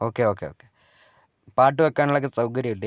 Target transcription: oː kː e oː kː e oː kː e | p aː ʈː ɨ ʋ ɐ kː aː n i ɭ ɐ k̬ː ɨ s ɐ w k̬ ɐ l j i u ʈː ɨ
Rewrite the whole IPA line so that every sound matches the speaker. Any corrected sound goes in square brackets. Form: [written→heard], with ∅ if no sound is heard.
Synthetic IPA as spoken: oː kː e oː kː e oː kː e | p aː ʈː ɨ ʋ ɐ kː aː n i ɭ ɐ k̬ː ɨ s ɐ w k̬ ɐ [l→ɾ] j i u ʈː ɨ